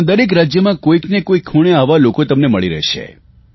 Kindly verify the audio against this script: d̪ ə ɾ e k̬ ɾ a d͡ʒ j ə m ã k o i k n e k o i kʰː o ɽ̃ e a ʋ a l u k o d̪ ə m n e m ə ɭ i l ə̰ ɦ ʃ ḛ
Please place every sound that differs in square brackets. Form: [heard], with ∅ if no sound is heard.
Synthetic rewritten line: d̪ ə ɾ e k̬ ɾ a d͡ʒ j ə m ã k o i k n e k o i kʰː [u] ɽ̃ e a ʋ a l [o] k o [t̪] ə m n e m ə ɭ i [ɾ] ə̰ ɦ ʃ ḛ